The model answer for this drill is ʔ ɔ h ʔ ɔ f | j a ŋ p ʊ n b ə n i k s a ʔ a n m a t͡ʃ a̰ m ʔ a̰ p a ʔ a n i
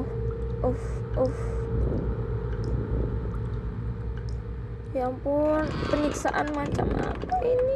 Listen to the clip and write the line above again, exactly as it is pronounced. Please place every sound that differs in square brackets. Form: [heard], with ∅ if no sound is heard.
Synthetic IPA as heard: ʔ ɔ [f] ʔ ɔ f | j a ŋ p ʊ n [p] ə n i k s a ʔ a n m a t͡ʃ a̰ m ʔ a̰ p a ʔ [i] n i